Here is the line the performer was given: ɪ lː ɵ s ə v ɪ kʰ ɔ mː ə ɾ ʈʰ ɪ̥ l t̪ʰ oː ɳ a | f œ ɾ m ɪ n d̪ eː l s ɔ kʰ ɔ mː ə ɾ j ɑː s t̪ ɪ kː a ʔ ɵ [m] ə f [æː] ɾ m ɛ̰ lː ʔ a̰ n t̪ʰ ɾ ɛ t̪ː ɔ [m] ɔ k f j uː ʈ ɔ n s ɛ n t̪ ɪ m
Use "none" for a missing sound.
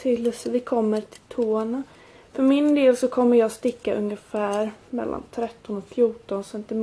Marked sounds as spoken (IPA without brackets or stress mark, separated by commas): ŋ, æː, n